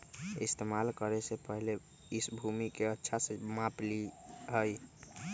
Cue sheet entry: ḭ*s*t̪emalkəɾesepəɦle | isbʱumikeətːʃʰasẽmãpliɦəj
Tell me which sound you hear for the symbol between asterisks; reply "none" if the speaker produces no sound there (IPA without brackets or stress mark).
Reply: s